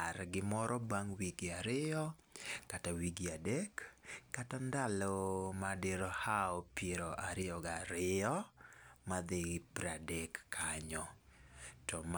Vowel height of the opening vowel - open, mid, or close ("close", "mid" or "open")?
open